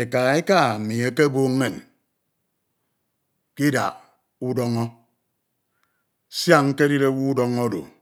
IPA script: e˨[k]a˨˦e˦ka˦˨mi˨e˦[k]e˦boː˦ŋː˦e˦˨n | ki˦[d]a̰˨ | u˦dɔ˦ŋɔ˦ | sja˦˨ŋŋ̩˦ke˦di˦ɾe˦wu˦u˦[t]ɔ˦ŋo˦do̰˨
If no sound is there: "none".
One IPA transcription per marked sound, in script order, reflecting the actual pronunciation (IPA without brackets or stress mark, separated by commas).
k, k, d, d